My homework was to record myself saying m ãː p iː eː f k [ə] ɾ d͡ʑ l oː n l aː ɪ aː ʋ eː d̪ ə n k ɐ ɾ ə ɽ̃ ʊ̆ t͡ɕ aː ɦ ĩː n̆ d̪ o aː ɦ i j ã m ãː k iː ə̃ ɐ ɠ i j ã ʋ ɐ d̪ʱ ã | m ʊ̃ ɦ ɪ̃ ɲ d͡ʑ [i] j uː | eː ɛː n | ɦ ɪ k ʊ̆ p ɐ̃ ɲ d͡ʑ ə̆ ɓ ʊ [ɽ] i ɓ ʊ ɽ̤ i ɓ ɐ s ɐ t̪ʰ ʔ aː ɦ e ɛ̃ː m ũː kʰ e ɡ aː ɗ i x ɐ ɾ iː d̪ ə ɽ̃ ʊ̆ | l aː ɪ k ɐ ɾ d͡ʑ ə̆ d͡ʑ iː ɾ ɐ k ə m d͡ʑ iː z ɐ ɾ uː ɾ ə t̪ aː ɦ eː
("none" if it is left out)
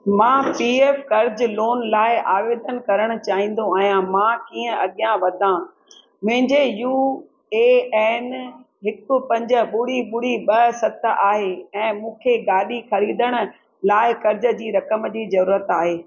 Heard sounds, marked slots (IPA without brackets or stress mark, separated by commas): ɐ, e, ɽ